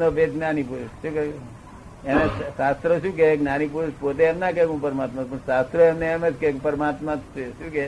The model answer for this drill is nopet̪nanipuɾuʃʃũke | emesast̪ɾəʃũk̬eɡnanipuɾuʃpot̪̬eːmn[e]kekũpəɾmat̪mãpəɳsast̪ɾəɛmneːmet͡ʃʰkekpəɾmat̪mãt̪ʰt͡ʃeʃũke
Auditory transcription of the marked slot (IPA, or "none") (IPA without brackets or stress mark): a